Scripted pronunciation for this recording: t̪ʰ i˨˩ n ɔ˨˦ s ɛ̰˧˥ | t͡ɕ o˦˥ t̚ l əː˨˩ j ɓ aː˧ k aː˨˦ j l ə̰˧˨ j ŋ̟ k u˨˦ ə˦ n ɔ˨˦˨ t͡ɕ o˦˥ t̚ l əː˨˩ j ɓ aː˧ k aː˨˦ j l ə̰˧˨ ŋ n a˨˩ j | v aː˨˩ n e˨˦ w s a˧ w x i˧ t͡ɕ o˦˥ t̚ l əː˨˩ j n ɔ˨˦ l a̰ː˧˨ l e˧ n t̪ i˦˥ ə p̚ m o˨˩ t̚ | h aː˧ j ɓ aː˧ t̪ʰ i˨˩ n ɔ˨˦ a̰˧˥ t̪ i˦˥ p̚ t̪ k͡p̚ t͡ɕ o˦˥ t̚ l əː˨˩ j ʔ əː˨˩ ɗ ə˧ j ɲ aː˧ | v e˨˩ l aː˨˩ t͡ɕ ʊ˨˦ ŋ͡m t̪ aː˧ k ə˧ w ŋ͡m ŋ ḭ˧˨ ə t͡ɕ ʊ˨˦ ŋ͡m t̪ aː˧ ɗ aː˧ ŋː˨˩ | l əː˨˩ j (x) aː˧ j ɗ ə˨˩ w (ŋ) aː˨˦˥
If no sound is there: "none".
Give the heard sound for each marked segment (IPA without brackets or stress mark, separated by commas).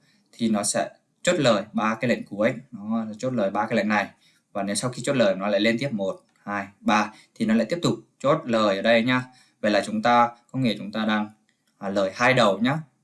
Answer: h, ɲ